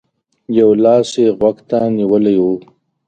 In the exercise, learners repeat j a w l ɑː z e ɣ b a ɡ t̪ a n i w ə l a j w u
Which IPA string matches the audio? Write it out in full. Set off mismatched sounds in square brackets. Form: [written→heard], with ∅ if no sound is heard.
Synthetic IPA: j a w l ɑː [z→s] e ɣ [b→w] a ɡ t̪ a n i w ə l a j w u

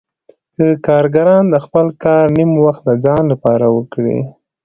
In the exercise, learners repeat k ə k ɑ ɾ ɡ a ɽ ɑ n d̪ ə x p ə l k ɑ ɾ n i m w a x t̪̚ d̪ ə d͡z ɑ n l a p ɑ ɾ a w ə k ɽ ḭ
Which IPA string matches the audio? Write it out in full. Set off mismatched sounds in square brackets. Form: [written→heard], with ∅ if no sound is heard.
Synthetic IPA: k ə k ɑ ɾ ɡ a [ɽ→ɾ] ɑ n d̪ ə x p ə l k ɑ ɾ n i m w a x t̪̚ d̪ ə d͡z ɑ n l a p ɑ ɾ a w ə k ɽ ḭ

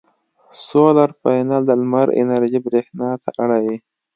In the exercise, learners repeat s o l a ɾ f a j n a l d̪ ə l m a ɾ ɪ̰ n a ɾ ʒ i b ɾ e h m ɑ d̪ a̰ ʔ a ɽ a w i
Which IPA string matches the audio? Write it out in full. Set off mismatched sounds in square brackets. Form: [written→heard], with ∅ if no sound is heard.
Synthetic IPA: s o l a ɾ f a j n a l d̪ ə l m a ɾ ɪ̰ n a ɾ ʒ i b ɾ e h [m→n] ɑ [d̪→t̪] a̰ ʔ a ɽ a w i

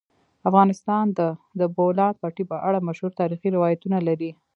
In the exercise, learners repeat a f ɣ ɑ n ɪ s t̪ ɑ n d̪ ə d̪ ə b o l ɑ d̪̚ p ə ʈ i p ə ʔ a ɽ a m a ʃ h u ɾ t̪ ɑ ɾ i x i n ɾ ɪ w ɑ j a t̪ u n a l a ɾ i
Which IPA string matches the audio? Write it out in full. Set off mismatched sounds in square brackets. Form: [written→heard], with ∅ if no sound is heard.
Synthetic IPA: a f ɣ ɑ n ɪ s t̪ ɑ n d̪ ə d̪ ə b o l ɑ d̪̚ p [ə→ɑ] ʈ i p ə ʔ a ɽ a m a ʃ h u ɾ t̪ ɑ ɾ i x i [n→∅] ɾ ɪ w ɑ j a t̪ u n a l a ɾ i

